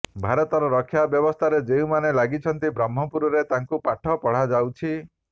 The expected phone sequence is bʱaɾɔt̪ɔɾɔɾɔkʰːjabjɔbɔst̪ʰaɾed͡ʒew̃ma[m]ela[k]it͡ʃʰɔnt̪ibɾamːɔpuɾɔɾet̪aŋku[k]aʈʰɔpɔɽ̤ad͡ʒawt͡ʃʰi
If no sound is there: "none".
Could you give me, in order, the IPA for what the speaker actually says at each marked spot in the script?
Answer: n, ɡ, p

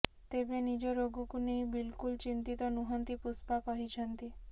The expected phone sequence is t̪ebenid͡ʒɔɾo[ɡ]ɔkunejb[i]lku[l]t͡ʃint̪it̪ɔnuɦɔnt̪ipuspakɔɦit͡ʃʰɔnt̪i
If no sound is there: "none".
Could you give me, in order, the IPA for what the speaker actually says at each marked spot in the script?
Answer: ɡ, i, l

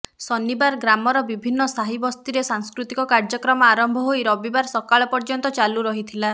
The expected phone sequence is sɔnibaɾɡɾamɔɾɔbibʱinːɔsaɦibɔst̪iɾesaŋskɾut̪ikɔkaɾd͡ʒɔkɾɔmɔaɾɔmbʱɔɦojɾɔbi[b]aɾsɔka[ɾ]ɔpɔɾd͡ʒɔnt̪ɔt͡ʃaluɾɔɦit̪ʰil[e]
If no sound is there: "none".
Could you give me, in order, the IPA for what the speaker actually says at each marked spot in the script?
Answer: b, ɭ, a

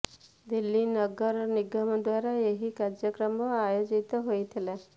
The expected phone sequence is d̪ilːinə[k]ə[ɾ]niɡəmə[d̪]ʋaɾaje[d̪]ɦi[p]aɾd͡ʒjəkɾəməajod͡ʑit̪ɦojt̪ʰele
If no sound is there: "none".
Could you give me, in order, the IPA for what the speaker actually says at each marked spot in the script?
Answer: ɡ, ɾ, d̪, none, k

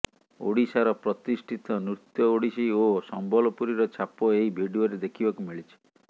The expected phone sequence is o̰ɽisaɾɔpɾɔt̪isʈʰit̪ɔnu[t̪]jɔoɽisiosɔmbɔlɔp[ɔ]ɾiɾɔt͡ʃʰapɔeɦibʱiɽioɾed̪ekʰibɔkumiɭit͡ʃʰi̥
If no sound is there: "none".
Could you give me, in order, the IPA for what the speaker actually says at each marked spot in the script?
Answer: t̪, u

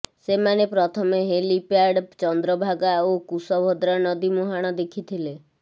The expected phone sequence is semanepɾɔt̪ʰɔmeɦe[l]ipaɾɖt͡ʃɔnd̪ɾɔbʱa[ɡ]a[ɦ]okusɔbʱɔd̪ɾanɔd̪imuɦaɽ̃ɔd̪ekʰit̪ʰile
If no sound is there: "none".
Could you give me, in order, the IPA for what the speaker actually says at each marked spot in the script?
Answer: l, ɡ, none

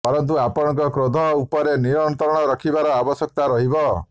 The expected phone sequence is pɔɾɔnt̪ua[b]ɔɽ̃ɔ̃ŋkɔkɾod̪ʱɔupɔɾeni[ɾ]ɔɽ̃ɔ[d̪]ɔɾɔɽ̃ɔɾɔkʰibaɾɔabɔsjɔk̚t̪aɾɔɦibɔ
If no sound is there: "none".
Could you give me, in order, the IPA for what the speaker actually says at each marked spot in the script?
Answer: p, ɾ, t̪

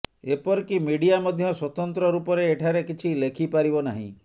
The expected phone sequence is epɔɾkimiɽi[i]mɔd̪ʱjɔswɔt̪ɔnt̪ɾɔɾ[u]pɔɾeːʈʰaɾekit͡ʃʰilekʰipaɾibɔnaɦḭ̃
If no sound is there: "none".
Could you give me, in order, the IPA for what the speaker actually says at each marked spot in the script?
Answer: a, u

